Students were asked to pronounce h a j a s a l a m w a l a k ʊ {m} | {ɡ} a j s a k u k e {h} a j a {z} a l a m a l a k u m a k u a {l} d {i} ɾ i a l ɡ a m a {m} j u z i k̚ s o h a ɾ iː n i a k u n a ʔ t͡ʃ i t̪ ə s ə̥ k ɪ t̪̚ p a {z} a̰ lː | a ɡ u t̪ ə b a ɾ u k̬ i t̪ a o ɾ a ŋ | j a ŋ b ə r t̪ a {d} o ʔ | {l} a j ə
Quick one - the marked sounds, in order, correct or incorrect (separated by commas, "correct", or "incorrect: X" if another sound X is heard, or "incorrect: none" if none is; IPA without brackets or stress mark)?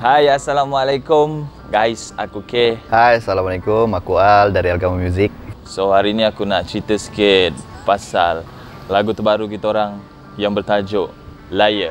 correct, correct, correct, incorrect: s, correct, incorrect: a, correct, incorrect: s, incorrect: d͡ʒ, correct